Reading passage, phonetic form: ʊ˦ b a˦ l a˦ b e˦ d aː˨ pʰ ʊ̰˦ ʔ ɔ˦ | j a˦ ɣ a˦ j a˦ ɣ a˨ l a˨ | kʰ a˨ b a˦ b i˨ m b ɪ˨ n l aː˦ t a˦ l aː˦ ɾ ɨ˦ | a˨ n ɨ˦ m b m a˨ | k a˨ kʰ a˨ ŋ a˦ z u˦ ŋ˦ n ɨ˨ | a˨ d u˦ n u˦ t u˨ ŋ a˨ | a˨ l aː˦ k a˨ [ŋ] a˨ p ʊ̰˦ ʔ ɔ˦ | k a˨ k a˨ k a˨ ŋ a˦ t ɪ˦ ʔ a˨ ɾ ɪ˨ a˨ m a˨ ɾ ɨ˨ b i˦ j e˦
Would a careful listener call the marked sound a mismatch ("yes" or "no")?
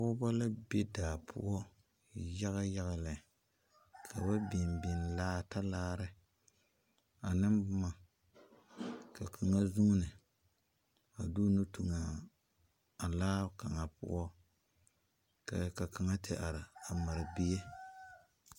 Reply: no